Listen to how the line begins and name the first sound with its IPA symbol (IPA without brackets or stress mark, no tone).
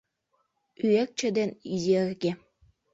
y